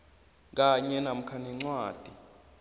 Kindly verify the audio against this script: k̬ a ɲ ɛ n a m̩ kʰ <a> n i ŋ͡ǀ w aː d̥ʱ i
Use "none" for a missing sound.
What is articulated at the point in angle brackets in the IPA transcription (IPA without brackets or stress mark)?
a